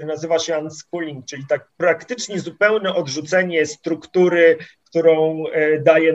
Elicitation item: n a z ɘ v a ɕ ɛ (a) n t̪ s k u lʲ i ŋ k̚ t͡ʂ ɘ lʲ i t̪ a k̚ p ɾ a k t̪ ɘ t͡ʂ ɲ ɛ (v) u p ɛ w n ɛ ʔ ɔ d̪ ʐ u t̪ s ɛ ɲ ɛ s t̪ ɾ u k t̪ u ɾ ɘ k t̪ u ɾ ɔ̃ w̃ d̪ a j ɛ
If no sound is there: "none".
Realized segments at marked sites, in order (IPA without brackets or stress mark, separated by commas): a, z